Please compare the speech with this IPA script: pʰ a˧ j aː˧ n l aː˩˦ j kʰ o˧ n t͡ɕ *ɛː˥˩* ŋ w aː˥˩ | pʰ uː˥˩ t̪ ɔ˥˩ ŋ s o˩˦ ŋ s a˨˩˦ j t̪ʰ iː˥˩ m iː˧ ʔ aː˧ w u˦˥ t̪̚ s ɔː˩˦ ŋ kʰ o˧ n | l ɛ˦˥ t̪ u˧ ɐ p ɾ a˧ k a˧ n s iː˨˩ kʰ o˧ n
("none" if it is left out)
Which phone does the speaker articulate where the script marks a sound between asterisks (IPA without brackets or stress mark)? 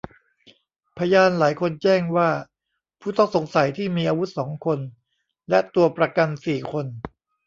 ɛː˥˩